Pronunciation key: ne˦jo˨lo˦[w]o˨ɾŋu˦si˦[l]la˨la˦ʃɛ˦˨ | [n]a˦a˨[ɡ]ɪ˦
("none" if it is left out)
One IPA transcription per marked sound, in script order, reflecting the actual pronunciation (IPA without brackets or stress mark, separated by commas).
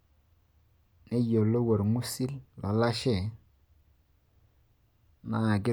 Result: w, l, n, ɡ